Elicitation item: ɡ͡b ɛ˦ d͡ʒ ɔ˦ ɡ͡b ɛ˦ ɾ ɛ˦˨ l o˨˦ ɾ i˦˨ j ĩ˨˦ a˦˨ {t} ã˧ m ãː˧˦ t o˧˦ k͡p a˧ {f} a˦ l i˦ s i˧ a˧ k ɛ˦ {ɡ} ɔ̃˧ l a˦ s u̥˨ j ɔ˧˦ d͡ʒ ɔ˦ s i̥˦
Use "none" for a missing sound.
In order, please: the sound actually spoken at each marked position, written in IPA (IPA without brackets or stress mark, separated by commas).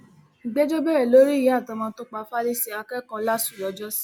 t, f, k